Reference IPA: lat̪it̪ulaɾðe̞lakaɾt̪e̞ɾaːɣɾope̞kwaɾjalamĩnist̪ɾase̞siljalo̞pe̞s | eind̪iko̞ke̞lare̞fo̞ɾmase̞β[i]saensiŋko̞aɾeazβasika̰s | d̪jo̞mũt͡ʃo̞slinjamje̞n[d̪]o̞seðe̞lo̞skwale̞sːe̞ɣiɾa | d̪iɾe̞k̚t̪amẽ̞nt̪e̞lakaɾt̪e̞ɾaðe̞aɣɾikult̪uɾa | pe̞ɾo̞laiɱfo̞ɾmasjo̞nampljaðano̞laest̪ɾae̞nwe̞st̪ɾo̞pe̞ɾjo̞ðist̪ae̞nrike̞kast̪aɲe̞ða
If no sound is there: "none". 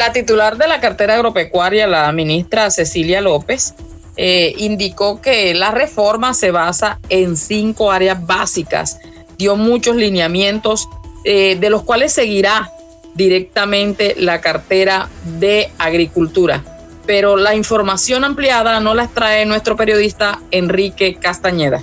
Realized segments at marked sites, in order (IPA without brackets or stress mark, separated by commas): a, t̪